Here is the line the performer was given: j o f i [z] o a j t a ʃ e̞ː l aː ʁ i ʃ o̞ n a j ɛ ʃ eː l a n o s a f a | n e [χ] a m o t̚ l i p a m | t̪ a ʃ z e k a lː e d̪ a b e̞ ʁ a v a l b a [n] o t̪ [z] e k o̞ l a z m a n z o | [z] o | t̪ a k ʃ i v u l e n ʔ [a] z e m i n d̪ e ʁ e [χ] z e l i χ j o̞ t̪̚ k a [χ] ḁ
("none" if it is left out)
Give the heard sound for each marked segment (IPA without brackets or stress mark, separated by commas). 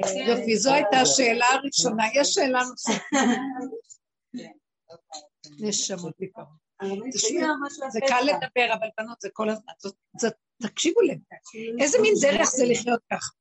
z, ʃ, n, z, z, e, χ, χ